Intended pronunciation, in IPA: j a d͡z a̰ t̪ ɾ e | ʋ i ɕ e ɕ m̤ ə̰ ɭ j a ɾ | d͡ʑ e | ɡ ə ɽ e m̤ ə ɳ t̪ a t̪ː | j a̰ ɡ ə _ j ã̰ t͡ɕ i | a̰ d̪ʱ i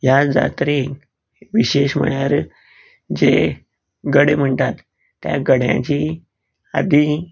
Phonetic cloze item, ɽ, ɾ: ɽ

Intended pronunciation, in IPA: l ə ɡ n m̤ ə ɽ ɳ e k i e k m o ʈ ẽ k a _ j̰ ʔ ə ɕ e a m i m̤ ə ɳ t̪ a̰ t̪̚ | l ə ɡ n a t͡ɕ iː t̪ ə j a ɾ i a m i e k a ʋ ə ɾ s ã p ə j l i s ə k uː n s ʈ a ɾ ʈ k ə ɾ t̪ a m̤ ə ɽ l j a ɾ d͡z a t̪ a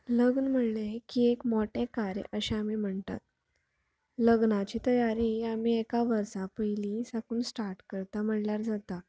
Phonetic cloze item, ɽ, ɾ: ɾ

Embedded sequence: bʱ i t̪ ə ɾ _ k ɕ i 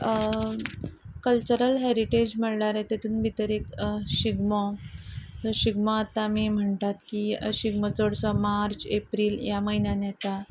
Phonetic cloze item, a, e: e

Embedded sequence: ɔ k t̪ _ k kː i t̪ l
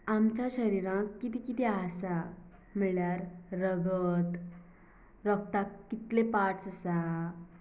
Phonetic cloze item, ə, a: a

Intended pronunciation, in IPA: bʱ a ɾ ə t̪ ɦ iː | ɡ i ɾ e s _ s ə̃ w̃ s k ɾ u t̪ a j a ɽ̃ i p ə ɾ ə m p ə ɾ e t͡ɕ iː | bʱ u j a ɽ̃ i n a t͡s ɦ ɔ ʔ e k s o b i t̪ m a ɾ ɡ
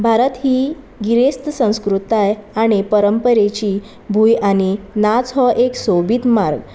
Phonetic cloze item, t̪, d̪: t̪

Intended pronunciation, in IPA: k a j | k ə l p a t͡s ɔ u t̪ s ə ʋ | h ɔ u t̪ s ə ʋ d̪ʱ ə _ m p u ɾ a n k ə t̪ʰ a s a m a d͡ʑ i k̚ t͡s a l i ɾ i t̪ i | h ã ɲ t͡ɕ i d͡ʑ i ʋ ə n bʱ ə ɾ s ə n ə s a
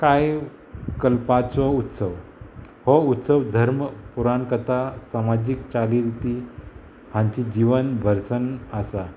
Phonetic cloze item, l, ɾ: ɾ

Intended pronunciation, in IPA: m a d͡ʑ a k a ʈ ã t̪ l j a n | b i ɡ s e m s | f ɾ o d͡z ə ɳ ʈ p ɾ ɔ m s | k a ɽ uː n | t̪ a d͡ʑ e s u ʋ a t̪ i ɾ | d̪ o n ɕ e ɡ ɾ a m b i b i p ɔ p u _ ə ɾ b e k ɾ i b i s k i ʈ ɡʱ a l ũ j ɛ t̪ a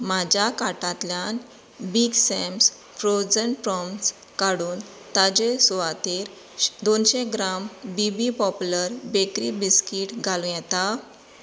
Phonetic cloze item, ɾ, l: l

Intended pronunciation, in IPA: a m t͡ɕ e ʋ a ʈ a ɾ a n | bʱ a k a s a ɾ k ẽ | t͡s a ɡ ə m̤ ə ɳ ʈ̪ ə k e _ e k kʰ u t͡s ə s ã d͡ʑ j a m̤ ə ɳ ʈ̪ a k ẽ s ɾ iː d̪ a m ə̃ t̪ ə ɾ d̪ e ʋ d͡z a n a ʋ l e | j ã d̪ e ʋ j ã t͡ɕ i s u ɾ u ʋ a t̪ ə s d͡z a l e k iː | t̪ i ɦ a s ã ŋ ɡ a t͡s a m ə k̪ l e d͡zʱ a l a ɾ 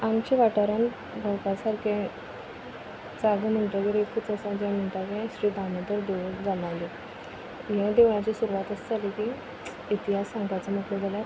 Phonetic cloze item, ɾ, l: ɾ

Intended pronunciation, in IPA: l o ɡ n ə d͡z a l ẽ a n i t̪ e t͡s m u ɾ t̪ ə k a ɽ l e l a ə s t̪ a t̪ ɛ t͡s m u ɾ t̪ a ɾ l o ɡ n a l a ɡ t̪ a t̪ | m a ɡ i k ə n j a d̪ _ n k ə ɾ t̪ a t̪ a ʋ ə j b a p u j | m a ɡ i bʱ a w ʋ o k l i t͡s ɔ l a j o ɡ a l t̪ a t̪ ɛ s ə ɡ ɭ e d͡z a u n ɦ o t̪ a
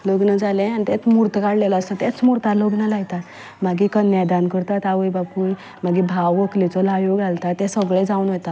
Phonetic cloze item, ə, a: a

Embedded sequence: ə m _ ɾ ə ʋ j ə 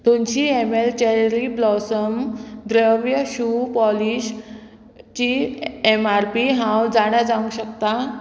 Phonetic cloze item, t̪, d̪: d̪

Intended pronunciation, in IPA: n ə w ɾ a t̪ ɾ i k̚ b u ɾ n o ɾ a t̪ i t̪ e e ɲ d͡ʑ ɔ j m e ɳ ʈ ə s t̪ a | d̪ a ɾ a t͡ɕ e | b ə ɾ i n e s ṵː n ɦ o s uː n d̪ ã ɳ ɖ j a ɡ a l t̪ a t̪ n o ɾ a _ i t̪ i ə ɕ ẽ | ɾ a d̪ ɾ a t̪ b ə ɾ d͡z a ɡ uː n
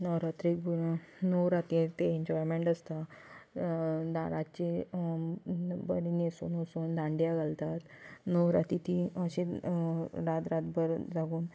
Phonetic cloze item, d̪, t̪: t̪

